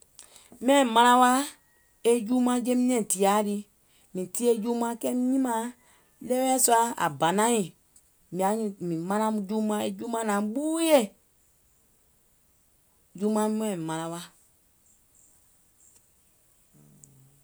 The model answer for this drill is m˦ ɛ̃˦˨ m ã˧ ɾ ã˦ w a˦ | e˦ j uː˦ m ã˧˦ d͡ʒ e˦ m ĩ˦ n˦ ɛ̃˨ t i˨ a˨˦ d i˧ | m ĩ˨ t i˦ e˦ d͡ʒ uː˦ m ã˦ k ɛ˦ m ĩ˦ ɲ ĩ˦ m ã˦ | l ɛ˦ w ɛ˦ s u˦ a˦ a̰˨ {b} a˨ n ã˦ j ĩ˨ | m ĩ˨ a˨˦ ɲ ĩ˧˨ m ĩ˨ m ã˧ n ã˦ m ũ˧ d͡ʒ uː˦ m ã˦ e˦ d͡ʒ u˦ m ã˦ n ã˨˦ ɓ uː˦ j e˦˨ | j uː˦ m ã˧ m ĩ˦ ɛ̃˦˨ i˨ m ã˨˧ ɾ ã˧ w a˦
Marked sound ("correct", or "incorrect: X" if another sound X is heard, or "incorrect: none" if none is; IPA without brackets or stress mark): correct